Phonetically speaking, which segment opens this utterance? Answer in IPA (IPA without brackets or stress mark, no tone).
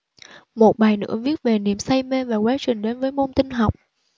m